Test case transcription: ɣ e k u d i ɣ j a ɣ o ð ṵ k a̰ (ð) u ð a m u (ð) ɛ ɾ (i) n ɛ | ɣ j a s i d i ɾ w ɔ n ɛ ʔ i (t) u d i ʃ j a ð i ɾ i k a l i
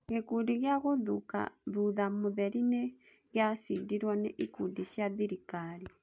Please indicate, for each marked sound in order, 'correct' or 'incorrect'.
correct, correct, correct, incorrect

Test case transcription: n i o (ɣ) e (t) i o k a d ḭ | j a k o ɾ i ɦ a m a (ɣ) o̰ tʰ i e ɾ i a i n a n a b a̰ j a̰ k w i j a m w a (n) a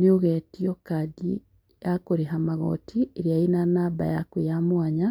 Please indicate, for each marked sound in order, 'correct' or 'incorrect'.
correct, correct, correct, incorrect

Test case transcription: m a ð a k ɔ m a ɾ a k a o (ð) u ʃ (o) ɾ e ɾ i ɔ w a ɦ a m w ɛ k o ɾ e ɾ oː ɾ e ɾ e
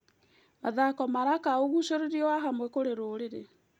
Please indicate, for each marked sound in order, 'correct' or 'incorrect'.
incorrect, correct

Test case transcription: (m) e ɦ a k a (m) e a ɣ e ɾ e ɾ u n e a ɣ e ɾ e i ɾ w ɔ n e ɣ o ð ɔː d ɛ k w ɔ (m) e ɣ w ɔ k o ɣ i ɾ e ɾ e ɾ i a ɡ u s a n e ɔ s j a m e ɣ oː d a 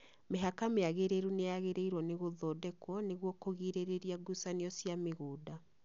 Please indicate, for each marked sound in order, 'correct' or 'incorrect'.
correct, correct, incorrect

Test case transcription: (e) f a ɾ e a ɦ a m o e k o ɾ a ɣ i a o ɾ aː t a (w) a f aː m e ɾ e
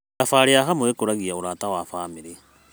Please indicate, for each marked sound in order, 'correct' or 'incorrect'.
incorrect, correct

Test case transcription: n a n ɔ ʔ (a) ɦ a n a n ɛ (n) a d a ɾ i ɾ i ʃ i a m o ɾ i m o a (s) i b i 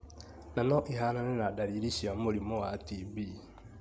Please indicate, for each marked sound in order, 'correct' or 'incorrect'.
incorrect, correct, incorrect

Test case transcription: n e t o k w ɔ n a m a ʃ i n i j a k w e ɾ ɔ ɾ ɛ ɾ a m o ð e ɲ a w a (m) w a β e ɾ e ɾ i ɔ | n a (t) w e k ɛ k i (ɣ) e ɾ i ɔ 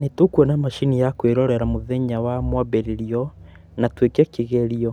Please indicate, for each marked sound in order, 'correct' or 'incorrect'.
correct, correct, correct

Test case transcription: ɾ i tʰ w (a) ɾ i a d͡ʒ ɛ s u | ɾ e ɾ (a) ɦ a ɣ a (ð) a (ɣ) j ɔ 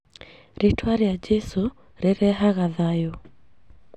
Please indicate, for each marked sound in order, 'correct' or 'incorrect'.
correct, incorrect, correct, incorrect

